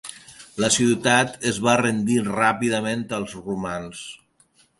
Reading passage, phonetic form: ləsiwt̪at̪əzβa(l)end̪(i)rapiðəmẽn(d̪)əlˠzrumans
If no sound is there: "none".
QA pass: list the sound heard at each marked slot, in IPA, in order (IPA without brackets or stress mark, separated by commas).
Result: r, i, t̪